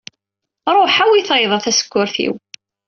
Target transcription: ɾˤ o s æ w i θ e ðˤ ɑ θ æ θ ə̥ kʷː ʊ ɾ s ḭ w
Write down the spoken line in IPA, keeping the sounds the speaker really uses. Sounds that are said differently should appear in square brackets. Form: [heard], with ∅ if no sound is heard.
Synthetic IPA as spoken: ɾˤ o [ħ] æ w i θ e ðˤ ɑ θ æ [s] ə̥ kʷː ʊ ɾ [θ] ḭ w